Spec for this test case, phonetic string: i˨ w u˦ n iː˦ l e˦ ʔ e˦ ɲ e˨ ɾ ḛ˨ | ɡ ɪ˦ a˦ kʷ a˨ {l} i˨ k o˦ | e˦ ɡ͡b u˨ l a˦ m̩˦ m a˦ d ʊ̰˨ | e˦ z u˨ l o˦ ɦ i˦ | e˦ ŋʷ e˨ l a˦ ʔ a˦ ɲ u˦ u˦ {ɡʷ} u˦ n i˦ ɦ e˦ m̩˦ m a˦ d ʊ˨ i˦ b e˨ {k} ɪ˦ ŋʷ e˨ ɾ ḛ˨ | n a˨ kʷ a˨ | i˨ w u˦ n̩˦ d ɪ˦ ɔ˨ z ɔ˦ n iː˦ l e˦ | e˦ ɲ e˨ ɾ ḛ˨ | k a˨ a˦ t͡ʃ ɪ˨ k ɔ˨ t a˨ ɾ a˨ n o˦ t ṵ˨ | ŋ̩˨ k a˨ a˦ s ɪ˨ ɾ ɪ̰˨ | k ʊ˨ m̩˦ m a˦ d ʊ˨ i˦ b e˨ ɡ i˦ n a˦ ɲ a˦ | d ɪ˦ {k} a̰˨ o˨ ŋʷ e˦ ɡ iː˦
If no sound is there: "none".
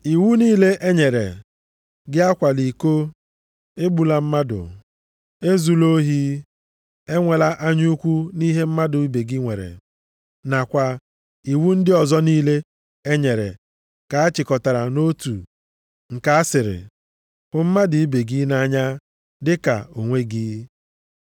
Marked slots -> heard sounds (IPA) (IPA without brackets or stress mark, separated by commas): l, kʷ, ɡ, k